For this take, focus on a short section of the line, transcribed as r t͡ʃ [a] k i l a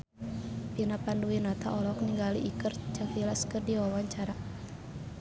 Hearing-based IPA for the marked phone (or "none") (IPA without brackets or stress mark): a